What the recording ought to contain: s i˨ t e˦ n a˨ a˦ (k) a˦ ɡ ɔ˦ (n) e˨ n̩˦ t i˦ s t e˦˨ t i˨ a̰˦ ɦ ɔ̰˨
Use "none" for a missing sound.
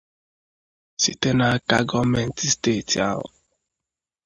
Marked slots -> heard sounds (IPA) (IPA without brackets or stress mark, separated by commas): k, m